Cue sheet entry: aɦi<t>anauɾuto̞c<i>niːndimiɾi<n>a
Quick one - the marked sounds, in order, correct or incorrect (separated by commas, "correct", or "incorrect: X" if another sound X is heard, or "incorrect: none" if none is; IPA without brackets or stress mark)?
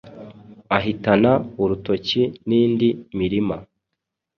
correct, correct, incorrect: m